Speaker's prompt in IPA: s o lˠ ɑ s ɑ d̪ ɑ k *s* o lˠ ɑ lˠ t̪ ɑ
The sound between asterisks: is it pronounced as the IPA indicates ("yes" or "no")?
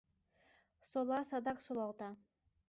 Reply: yes